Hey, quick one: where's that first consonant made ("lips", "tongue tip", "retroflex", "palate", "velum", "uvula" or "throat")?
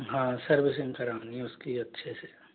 throat